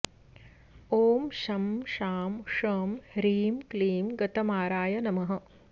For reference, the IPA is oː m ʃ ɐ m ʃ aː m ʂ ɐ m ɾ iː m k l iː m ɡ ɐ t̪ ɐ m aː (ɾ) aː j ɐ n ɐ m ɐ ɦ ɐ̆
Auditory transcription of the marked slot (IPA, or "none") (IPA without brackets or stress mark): ɾ